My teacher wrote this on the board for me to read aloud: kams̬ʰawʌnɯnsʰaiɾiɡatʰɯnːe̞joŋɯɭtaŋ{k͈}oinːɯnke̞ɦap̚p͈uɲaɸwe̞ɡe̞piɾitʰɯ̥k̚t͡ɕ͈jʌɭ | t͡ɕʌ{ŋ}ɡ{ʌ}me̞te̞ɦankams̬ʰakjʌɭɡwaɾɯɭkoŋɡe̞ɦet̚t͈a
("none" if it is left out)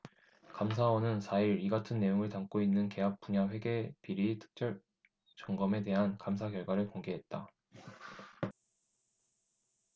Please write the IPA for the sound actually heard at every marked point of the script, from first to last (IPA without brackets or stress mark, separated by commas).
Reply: k͈, ŋ, ʌ